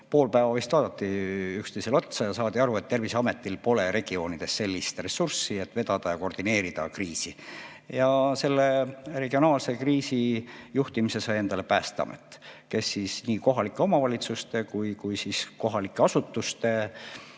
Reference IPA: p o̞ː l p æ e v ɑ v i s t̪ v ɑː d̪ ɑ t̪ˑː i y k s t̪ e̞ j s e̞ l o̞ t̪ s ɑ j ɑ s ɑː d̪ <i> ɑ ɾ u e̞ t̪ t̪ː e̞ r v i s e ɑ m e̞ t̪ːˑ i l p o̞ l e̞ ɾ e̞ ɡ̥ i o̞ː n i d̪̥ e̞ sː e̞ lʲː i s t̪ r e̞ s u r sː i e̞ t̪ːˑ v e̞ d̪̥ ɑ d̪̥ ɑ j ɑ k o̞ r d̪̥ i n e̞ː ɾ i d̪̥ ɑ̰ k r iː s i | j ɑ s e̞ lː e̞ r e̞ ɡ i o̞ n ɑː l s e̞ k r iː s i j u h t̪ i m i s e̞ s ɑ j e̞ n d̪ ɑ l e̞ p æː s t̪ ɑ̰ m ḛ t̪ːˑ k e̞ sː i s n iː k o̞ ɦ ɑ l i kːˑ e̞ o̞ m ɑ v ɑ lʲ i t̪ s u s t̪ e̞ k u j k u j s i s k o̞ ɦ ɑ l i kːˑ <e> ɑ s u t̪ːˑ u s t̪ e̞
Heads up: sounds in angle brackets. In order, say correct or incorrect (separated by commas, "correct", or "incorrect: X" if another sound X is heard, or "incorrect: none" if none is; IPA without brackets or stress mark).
correct, correct